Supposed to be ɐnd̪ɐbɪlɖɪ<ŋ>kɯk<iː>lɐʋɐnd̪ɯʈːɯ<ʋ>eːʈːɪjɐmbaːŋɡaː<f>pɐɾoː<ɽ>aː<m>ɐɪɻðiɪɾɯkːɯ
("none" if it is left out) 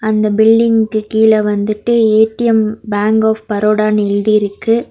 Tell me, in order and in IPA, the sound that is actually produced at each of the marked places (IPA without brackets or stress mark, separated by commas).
ŋ, iː, none, f, ɽ, n